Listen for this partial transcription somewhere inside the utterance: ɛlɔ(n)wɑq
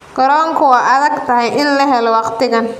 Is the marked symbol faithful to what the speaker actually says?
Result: no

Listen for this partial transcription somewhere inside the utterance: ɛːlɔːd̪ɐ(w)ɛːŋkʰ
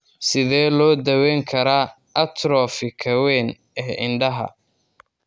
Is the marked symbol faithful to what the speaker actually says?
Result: yes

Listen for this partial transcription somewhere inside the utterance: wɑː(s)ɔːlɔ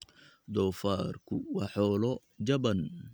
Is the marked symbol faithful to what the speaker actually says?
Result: no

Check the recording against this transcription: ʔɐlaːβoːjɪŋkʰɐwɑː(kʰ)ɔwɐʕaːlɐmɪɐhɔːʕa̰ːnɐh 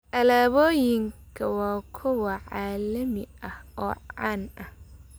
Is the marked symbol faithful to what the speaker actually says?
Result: yes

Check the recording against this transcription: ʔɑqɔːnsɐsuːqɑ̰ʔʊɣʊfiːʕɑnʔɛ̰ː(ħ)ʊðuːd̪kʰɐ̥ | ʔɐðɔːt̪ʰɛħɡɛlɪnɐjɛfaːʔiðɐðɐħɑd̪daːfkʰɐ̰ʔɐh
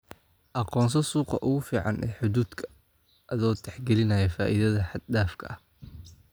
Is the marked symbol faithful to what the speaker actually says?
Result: yes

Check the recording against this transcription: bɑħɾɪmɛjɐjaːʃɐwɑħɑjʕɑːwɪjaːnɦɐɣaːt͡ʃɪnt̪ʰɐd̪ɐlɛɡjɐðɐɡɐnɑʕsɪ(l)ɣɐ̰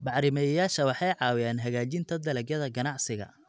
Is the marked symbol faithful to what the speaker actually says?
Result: no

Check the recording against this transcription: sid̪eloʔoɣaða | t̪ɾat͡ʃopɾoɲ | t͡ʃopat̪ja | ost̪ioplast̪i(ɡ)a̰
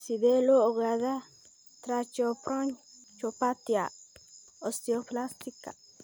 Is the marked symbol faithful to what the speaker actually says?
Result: no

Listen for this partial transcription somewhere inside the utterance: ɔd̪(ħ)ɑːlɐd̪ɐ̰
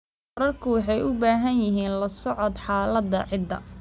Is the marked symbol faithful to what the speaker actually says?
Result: yes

